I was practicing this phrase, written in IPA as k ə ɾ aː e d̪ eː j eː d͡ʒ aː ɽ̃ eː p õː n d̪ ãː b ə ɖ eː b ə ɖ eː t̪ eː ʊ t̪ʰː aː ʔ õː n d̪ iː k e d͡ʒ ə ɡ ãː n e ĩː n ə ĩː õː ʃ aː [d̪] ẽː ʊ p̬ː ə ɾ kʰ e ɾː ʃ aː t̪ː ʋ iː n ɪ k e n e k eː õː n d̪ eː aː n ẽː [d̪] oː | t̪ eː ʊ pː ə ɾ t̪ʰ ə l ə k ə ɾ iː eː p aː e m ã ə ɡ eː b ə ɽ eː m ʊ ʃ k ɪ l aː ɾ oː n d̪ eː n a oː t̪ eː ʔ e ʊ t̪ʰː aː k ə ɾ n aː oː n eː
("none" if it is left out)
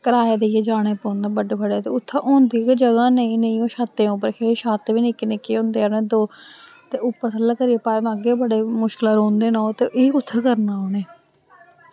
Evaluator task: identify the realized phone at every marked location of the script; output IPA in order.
t̪, d̪

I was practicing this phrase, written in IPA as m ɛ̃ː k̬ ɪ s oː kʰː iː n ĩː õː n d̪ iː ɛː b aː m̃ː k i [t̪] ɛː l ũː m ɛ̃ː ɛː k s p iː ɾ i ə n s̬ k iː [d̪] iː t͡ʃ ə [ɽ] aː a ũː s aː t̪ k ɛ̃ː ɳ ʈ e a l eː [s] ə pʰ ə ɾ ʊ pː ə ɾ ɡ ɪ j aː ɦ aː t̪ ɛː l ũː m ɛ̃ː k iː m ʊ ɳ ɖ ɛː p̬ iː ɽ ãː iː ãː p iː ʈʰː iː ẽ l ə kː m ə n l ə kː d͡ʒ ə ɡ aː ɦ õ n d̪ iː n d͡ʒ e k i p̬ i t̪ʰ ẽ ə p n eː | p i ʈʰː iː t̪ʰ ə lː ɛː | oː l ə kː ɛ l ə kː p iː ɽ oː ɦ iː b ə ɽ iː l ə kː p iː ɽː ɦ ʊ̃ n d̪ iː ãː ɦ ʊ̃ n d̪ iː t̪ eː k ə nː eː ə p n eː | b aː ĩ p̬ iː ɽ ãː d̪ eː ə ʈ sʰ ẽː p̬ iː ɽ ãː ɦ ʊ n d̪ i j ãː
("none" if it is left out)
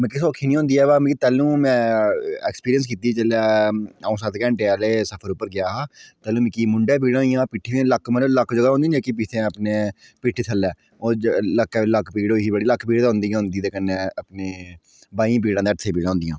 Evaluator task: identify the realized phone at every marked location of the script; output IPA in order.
t̪, t̪, l, s

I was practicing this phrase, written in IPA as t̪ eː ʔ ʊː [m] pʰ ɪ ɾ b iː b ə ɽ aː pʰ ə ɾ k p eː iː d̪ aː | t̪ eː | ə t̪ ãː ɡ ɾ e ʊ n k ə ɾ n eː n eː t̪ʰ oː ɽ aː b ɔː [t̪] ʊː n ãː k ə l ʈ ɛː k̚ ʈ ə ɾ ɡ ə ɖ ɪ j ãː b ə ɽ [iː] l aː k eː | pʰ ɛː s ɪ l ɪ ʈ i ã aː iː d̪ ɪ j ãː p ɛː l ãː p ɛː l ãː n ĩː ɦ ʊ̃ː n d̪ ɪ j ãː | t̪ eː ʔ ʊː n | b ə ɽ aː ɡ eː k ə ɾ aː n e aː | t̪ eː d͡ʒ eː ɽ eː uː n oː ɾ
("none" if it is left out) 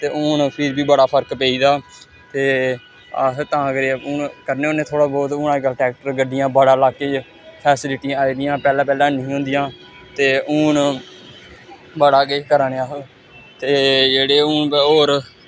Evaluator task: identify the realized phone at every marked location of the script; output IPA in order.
n, t̪, aː

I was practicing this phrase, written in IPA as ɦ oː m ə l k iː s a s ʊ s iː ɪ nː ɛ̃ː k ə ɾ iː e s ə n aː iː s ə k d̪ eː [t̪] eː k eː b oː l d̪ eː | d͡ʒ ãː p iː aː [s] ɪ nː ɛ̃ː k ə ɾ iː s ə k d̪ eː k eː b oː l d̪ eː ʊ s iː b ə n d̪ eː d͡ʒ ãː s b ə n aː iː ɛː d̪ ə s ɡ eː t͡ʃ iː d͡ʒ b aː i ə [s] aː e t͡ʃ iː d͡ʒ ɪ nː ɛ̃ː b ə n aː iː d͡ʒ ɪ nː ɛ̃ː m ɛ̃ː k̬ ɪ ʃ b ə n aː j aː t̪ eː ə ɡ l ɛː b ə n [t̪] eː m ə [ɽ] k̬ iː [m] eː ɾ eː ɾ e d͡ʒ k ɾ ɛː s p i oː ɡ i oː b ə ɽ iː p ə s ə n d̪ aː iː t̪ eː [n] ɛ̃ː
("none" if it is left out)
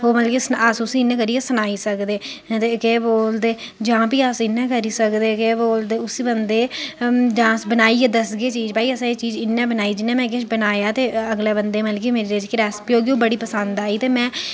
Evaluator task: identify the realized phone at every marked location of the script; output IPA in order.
t̪, s, s, d̪, l, m, m

